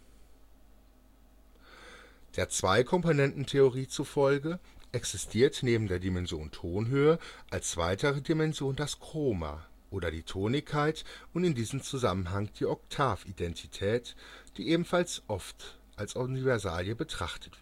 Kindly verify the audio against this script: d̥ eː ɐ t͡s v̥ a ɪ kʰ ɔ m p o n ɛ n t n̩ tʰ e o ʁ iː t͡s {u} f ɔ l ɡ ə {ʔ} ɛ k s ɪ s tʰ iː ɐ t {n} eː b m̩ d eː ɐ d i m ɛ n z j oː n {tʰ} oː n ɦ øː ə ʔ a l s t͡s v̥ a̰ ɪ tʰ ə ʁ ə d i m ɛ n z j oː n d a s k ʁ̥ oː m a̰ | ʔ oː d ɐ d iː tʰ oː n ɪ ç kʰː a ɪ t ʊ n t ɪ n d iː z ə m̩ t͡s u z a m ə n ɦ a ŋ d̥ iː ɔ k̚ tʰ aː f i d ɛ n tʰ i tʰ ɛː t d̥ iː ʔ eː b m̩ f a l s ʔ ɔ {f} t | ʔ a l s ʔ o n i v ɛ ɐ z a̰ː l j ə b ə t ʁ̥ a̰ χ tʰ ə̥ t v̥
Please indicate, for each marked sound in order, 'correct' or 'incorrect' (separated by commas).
correct, correct, correct, correct, correct